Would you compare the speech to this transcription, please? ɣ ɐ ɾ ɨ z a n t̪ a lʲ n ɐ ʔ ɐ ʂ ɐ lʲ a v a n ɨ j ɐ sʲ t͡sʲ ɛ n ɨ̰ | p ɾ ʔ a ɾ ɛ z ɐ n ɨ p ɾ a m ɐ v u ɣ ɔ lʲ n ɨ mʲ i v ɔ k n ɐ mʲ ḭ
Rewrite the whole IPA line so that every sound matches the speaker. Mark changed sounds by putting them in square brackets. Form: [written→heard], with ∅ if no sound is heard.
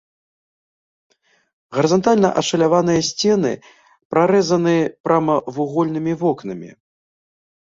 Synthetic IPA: ɣ ɐ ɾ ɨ z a n t̪ a lʲ n ɐ ʔ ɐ ʂ ɐ lʲ a v a n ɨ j ɐ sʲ t͡sʲ ɛ n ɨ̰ | p ɾ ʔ a ɾ ɛ z ɐ n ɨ p ɾ a m ɐ v u ɣ ɔ lʲ n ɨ mʲ i v ɔ k n ɐ mʲ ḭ